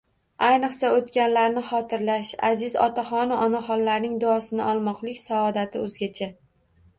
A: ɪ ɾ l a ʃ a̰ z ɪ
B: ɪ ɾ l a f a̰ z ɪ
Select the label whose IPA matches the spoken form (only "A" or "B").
A